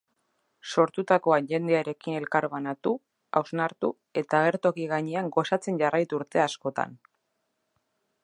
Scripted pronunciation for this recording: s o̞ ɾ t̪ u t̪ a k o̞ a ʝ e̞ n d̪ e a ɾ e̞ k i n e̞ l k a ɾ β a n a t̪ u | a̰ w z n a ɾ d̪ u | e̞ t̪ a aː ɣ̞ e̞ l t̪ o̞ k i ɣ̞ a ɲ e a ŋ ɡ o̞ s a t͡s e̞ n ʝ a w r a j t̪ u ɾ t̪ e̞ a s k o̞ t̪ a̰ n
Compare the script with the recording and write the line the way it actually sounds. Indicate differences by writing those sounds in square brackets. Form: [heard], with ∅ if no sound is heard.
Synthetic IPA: s o̞ ɾ t̪ u t̪ a k o̞ a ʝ e̞ n d̪ e a ɾ e̞ k i n e̞ l k a ɾ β a n a t̪ u | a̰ w z n a ɾ [t̪] u | e̞ t̪ a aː ɣ̞ e̞ [ɾ] t̪ o̞ k i ɣ̞ a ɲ e a ŋ ɡ o̞ s a t͡s e̞ n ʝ a [∅] r a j t̪ u ɾ t̪ e̞ a s k o̞ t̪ a̰ n